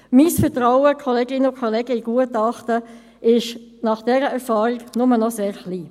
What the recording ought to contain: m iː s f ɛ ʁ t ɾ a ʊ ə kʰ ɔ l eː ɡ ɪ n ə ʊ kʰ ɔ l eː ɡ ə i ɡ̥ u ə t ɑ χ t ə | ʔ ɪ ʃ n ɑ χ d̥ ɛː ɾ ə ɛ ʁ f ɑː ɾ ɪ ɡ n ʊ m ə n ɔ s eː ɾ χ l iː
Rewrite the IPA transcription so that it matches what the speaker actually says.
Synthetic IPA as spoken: m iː s f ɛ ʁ t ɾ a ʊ ə kʰ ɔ l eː ɡ ɪ n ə ʊ kʰ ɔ l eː ɡ ə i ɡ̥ u ə t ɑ χ t ə | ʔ ɪ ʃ n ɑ χ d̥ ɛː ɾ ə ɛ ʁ f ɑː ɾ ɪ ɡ n ʊ m ə n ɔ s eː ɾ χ l iː